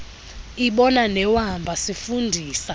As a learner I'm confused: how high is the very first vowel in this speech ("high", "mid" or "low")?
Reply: high